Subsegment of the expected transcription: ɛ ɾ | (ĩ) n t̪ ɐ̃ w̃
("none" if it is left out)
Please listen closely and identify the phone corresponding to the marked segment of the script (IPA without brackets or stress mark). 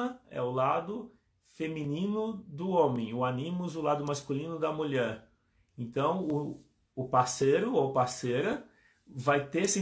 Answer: ẽ